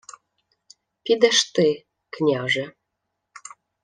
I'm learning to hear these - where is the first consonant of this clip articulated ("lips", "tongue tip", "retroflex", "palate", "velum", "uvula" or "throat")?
lips